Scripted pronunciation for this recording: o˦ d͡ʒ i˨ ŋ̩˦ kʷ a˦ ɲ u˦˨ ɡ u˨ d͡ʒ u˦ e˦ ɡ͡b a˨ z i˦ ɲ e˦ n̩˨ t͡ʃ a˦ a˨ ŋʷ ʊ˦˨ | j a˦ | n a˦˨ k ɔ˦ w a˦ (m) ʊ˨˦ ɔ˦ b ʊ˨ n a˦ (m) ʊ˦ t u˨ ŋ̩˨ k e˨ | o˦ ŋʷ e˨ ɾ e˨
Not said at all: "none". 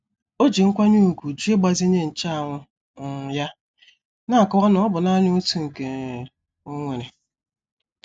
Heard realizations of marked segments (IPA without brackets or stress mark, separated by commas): n, ɲ